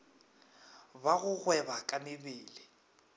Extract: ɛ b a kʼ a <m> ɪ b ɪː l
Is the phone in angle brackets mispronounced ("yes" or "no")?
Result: no